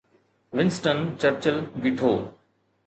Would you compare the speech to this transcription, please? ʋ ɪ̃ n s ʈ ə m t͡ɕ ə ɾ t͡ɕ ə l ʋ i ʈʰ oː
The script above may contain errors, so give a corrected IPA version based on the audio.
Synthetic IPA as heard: ʋ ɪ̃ n s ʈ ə n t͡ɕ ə ɾ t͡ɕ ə l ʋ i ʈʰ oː